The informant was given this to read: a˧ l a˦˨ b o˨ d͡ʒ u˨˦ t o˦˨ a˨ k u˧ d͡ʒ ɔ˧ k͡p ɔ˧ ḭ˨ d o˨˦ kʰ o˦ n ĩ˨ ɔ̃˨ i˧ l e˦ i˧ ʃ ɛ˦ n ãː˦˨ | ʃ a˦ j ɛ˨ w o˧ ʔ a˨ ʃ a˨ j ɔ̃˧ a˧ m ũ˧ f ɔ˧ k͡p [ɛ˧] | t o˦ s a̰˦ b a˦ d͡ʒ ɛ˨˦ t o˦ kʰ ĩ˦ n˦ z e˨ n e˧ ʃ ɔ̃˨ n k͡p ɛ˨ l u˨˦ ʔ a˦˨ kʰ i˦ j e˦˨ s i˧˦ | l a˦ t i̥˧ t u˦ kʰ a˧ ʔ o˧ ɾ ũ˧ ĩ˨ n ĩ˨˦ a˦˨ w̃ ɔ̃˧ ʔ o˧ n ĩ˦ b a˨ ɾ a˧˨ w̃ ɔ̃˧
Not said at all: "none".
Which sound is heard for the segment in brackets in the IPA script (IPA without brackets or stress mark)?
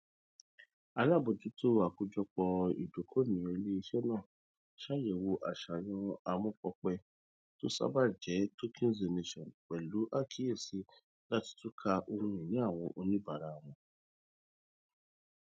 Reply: ɛ˧